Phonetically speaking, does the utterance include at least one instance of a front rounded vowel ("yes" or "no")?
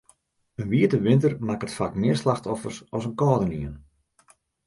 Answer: no